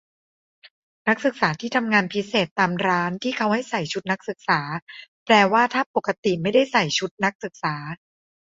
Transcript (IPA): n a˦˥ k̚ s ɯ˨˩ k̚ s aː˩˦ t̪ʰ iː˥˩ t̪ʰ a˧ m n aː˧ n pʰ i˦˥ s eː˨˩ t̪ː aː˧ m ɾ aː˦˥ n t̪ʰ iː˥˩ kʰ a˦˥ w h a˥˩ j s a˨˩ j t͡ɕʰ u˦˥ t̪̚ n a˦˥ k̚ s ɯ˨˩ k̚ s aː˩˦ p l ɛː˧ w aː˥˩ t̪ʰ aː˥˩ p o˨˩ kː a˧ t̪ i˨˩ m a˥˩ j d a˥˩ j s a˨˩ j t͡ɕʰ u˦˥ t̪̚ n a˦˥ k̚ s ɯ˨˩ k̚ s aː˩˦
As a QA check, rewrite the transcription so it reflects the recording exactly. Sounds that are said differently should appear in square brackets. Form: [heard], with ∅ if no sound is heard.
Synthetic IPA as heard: n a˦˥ k̚ s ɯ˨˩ k̚ s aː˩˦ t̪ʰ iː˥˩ t̪ʰ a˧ m [ŋ] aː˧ n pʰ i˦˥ s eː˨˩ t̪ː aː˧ m ɾ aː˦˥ n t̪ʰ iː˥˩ kʰ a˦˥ w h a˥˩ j s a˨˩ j t͡ɕʰ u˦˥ t̪̚ n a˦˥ k̚ s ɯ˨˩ k̚ s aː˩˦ p l ɛː˧ w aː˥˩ t̪ʰ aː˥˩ p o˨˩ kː a˧ t̪ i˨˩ m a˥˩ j d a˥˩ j s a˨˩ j t͡ɕʰ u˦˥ t̪̚ n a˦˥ k̚ s ɯ˨˩ k̚ s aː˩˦